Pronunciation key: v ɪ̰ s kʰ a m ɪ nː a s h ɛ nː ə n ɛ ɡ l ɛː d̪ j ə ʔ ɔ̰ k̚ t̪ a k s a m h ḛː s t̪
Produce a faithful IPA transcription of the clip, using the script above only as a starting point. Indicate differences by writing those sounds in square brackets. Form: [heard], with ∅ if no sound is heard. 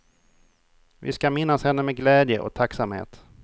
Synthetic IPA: v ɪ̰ s [k] a m ɪ nː a s h ɛ nː ə [m] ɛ ɡ l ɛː d̪ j ə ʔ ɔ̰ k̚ [t̪ʰ] a k s a m h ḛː [∅] t̪